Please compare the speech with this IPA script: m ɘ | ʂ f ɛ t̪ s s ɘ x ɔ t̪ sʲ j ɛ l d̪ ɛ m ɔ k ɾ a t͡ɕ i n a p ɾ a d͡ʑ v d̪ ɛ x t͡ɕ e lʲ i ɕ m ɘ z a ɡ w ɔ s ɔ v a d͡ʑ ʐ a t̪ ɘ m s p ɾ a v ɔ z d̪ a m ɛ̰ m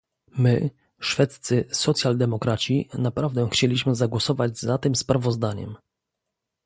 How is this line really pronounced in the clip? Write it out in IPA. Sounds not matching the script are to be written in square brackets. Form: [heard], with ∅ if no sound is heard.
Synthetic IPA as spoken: m ɘ | ʂ f ɛ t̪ s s ɘ [s] ɔ t̪ sʲ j [a] l d̪ ɛ m ɔ k ɾ a t͡ɕ i n a p ɾ a [∅] v d̪ ɛ x t͡ɕ e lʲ i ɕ m ɘ z a ɡ w ɔ s ɔ v a d͡ʑ [z] a t̪ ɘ m s p ɾ a v ɔ z d̪ a [ɲ] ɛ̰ m